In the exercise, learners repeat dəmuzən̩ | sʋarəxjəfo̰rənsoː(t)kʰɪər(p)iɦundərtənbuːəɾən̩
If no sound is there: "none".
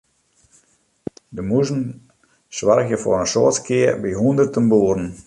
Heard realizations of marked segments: t, b

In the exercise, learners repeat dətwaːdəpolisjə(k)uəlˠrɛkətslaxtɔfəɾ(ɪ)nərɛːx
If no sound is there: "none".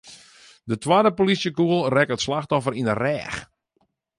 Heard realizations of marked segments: k, i

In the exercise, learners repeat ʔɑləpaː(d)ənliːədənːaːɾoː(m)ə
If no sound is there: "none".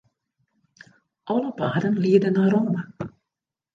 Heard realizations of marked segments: d, m

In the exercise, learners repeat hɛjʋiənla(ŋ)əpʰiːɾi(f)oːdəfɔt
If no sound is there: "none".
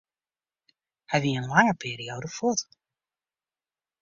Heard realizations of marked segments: ŋ, none

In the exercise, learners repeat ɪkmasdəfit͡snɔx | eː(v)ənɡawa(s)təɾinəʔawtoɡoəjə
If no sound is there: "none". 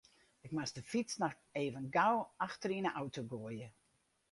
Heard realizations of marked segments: v, x

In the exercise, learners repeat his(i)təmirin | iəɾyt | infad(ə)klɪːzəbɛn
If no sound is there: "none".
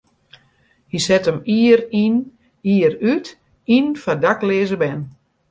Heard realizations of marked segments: ɛ, a

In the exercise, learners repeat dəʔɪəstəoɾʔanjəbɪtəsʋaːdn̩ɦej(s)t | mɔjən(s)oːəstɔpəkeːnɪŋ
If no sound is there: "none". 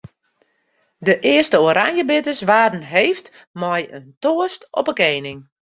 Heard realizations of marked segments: f, t

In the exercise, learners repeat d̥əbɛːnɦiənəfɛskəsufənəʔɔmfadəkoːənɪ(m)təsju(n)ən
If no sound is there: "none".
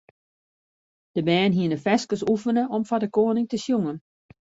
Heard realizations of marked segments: ŋ, ŋ

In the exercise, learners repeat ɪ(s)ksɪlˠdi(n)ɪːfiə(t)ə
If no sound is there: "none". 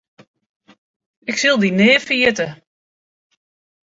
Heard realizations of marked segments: none, n, t

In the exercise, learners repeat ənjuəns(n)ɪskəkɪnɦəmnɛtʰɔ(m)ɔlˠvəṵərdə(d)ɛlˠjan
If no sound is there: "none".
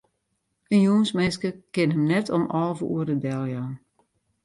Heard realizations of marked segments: m, m, d

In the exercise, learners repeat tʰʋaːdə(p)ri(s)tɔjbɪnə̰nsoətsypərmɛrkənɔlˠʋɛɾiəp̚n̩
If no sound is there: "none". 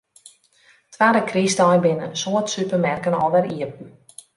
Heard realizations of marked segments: k, s

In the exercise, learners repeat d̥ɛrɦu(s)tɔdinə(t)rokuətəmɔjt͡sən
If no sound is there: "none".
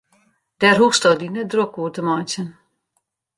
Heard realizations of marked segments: s, d

